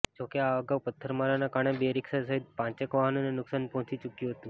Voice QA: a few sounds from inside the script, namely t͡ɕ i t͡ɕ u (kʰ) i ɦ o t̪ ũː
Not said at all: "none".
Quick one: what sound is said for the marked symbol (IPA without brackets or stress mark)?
k